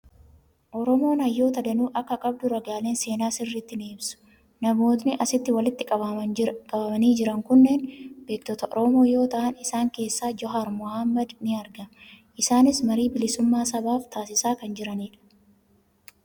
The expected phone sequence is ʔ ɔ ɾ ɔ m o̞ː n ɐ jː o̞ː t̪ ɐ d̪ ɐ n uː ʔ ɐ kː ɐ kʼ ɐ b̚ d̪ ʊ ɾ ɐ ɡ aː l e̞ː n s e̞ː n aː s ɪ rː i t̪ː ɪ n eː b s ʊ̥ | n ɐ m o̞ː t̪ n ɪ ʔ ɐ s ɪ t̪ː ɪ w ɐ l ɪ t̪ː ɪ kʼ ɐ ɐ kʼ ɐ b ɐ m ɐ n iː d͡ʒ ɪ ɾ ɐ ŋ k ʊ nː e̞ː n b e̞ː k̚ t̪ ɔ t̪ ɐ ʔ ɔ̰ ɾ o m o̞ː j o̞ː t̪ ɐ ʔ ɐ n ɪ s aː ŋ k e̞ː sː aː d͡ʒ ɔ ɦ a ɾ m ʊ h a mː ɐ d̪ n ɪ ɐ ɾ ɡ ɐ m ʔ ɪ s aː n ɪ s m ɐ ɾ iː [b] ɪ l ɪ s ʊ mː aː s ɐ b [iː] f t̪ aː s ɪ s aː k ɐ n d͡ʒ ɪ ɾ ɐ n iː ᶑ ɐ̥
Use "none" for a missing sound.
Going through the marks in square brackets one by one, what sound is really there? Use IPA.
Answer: b, aː

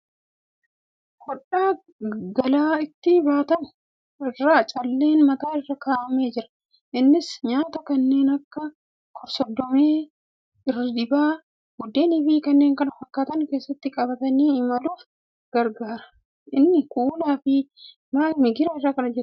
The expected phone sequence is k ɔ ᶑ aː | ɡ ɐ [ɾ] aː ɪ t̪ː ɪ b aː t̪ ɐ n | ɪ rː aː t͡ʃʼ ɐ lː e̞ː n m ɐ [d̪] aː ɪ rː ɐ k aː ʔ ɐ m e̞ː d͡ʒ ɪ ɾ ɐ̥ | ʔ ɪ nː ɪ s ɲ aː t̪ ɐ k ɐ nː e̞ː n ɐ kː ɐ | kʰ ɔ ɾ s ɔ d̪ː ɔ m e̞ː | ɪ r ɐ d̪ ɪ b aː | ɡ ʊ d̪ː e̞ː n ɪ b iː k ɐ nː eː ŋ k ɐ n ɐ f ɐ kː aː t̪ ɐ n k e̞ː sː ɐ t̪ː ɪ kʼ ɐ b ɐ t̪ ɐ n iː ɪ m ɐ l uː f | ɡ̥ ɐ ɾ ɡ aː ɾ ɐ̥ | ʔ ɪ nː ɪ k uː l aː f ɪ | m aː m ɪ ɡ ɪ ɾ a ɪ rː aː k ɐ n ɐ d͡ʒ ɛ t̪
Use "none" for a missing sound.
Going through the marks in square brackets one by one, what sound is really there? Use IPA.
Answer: l, t̪

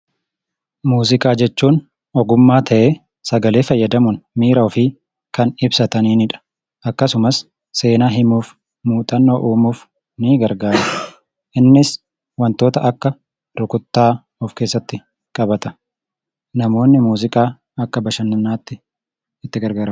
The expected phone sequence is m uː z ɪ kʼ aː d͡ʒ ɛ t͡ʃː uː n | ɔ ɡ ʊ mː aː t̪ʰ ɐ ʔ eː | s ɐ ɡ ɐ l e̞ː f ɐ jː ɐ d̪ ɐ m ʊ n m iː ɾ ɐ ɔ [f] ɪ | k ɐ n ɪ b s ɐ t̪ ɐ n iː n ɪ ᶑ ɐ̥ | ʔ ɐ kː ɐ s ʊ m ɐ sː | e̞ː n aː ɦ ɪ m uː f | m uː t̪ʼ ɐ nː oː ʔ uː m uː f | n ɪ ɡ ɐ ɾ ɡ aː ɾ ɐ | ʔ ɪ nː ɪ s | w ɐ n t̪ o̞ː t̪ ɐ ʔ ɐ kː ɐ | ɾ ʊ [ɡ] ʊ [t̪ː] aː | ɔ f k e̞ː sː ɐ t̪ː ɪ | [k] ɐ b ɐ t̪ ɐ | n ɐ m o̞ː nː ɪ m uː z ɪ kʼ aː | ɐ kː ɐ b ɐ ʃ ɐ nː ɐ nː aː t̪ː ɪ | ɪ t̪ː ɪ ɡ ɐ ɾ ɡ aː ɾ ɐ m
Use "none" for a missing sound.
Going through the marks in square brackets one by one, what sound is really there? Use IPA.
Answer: f, k, t̪ː, kʼ

